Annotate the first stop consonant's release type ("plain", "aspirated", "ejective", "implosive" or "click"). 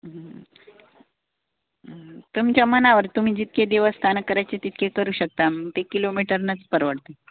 plain